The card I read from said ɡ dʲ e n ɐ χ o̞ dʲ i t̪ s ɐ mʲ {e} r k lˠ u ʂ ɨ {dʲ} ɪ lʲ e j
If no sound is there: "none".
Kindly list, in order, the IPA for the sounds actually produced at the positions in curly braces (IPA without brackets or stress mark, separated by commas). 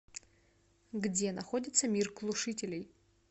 i, tʲ